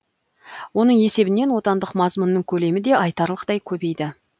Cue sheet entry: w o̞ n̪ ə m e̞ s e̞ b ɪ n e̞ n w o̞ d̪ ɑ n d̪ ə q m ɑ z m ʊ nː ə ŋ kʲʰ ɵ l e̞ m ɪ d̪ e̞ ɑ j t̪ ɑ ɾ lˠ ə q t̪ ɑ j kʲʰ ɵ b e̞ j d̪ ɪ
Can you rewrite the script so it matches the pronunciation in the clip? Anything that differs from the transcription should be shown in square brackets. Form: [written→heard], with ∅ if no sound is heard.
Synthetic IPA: w o̞ n̪ ə [m→ɴ] e̞ s e̞ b ɪ n e̞ n w o̞ [d̪→t̪] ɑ n d̪ ə q m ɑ z m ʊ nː ə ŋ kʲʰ ɵ l e̞ m ɪ d̪ e̞ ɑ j t̪ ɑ ɾ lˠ ə q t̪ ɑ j kʲʰ ɵ b e̞ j d̪ ɪ